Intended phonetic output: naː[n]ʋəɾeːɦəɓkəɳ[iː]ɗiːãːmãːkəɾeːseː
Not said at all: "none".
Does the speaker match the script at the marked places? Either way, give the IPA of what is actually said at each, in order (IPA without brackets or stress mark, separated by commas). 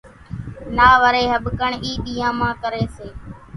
none, iː